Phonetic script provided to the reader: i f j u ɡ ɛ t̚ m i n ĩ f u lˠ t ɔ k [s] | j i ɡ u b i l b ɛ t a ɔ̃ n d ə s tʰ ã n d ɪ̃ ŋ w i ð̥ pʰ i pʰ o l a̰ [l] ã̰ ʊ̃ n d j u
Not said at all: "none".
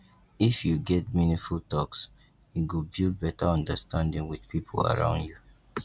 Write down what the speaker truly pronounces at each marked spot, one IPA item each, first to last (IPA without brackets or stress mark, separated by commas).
s, ɹ